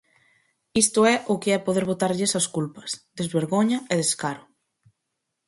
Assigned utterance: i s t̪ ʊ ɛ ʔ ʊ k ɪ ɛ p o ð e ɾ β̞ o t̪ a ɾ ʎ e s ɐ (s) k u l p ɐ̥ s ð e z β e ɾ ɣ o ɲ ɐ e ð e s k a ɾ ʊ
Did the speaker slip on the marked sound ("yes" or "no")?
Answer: no